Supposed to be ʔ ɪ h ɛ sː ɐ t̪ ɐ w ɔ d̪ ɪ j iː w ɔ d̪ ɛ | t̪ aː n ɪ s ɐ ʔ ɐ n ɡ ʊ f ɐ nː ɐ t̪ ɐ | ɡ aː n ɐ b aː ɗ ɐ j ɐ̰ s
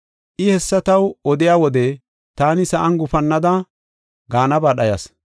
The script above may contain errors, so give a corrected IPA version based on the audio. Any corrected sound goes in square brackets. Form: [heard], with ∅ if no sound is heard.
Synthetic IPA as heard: ʔ ɪ h ɛ sː ɐ t̪ ɐ w ɔ d̪ ɪ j [aː] w ɔ d̪ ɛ | t̪ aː n ɪ s ɐ ʔ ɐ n ɡ ʊ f ɐ nː ɐ [d̪] ɐ | ɡ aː n ɐ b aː ɗ ɐ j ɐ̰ s